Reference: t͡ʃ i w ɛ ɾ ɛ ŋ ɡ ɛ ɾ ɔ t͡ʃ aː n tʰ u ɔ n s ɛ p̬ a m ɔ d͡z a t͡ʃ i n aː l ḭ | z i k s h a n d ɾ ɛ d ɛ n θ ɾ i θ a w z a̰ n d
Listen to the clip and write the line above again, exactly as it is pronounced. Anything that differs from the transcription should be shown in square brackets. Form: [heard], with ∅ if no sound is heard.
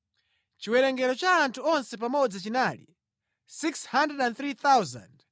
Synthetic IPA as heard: t͡ʃ i w ɛ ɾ ɛ ŋ ɡ ɛ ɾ ɔ t͡ʃ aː n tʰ u ɔ n s ɛ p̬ a m ɔ d͡z a t͡ʃ i n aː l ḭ | [s] i k s h a n d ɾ ɛ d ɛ n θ ɾ i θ a w z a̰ n d